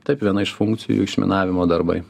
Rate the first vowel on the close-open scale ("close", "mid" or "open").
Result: open